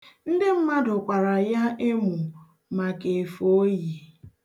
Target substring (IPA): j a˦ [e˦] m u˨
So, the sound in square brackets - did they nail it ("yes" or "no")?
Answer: yes